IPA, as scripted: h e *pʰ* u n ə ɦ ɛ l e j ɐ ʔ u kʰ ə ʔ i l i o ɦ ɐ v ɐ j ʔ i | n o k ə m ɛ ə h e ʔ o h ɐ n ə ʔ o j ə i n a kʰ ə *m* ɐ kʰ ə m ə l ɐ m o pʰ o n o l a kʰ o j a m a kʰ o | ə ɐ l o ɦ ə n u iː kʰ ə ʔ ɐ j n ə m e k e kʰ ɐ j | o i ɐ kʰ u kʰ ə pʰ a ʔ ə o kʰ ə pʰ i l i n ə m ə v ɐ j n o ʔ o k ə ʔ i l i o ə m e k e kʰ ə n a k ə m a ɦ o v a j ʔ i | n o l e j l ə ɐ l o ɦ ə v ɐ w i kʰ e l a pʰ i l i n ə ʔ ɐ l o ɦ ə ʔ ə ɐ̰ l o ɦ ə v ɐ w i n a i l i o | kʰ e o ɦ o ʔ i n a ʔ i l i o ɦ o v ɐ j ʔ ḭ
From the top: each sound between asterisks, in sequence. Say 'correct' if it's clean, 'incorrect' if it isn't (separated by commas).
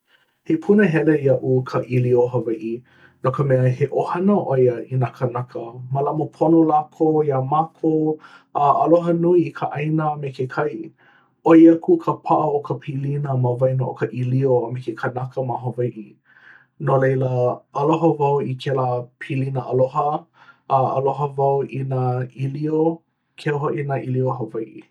correct, incorrect